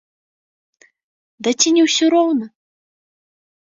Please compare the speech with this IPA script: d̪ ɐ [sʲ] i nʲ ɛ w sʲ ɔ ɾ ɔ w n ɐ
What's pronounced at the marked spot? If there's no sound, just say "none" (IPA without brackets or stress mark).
t͡sʲ